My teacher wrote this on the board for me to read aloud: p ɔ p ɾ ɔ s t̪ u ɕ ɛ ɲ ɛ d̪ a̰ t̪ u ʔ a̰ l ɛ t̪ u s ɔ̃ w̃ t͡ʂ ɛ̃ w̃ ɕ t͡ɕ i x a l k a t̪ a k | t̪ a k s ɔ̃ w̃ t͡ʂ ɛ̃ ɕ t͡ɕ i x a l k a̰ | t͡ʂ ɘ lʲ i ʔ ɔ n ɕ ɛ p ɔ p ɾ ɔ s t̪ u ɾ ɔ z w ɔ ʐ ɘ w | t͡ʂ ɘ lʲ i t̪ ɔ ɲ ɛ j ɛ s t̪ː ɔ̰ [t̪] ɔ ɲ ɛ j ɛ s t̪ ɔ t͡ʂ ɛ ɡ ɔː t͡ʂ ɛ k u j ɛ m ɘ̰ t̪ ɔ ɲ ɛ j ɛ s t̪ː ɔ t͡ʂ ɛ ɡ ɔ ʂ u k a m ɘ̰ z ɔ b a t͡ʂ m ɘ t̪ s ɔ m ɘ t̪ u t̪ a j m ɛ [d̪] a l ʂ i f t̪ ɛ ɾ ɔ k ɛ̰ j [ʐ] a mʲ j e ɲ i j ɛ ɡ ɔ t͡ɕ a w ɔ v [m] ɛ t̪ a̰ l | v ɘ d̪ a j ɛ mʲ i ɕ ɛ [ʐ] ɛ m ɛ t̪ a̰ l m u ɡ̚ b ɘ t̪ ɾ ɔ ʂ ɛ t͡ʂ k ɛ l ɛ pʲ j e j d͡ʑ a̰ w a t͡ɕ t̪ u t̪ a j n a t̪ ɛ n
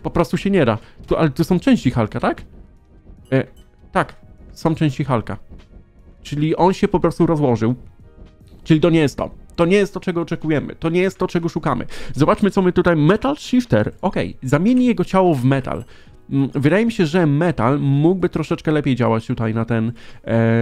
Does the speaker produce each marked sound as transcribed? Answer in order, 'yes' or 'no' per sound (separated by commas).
yes, no, no, yes, yes